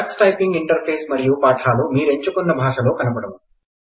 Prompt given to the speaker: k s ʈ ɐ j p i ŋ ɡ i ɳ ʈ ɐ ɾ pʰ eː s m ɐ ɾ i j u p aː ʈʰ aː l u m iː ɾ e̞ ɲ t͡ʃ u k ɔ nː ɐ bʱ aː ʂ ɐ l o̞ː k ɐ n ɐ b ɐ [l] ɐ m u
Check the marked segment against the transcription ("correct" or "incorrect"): incorrect